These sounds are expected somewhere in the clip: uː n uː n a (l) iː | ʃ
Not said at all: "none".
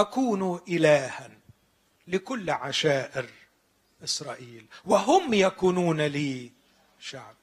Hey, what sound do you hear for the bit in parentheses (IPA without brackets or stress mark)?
l